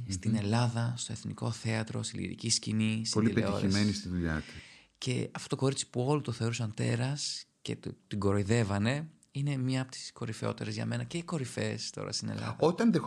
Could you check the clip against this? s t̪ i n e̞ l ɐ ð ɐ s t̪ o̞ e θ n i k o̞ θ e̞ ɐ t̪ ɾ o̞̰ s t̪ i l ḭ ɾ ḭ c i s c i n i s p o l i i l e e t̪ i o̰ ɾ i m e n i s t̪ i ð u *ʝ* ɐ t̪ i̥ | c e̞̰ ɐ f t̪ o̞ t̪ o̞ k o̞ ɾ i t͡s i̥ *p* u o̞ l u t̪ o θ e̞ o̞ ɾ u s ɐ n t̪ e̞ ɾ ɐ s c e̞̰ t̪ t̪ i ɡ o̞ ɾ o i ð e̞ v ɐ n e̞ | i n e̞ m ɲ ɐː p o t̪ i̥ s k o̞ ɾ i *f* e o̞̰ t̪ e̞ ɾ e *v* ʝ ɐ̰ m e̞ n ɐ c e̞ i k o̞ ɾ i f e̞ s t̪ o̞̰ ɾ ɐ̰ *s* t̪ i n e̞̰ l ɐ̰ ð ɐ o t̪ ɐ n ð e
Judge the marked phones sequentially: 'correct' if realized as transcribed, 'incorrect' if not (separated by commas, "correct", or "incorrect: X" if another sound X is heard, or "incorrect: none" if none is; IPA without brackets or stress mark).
incorrect: ʎ, correct, correct, incorrect: z, correct